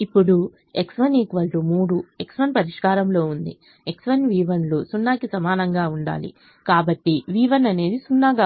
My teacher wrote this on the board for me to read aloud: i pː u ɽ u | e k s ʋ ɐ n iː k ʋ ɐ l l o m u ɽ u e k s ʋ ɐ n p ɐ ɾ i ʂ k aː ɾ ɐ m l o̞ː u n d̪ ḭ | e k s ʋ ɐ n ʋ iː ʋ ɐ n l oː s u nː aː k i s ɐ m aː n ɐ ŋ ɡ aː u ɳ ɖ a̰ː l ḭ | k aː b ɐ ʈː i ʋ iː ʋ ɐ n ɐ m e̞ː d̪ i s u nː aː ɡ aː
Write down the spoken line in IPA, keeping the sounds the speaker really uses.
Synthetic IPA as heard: i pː u ɽ u | e k s ʋ ɐ n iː k ʋ ɐ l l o m uː ɽ u e k s ʋ ɐ n p ɐ ɾ i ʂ k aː ɾ ɐ m l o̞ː u n d̪ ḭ | e k s ʋ ɐ n ʋ iː ʋ ɐ n l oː s u nː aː k i s ɐ m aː n ɐ ŋ ɡ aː u ɳ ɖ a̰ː l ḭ | k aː b ɐ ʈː i ʋ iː ʋ ɐ n ɐ n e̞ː d̪ i s u nː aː ɡ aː